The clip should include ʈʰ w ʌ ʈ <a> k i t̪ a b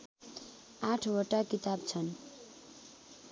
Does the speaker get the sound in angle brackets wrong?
no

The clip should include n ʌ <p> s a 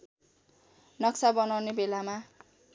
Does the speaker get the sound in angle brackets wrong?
yes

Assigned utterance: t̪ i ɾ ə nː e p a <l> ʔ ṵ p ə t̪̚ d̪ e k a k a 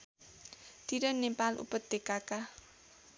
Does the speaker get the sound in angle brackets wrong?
no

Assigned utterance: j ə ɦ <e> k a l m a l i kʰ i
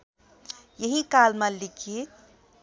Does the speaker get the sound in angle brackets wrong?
yes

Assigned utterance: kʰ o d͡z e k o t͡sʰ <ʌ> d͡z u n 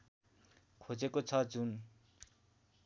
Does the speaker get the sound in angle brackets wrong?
no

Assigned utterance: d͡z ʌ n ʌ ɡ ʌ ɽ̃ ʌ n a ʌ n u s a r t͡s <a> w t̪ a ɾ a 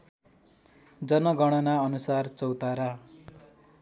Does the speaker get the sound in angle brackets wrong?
yes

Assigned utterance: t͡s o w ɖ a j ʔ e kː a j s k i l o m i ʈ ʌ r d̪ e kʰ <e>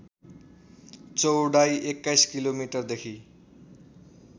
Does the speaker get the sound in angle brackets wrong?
yes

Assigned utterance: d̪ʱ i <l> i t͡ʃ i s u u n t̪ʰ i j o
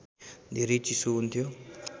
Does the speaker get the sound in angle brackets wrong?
yes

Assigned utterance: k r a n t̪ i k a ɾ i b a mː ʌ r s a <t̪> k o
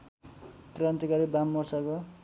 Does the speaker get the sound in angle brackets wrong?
yes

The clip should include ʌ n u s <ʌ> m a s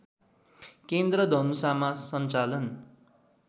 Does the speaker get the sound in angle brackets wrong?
yes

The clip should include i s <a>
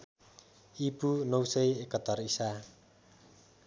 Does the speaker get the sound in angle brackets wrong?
no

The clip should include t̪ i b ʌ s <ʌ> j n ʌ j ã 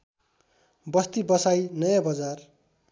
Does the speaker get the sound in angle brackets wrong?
yes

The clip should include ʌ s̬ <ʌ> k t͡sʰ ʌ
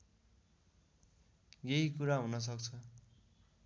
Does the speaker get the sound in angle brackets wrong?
no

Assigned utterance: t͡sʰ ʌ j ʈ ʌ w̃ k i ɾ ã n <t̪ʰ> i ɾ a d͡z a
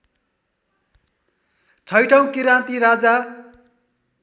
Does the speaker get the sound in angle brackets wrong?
yes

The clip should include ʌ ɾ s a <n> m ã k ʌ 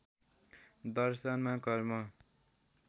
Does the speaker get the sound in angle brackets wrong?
no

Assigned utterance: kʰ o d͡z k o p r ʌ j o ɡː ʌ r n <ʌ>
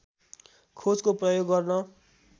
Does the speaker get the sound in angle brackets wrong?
no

